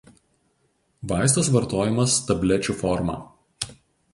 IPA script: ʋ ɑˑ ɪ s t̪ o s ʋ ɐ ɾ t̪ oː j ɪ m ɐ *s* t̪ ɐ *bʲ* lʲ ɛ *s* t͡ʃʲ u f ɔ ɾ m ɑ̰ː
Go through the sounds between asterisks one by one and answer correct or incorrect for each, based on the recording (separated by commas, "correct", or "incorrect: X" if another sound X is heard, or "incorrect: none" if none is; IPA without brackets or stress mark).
correct, correct, incorrect: none